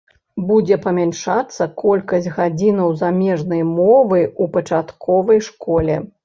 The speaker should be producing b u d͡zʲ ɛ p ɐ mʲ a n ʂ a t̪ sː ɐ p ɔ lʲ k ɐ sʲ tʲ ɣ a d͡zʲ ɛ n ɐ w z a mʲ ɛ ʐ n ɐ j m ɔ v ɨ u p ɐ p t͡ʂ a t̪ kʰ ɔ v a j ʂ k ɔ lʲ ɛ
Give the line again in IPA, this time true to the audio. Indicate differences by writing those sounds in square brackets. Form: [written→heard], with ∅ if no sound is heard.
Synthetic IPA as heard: b u d͡zʲ ɛ p ɐ mʲ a n ʂ a t̪ sː ɐ [p→k] ɔ lʲ k ɐ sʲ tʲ ɣ a d͡zʲ [ɛ→i] n ɐ w z a mʲ ɛ ʐ n ɐ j m ɔ v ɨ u p ɐ [p→∅] t͡ʂ a t̪ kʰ ɔ v [a→ɐ] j ʂ k ɔ lʲ ɛ